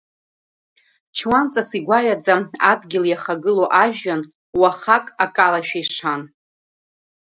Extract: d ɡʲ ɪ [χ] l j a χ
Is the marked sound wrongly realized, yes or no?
yes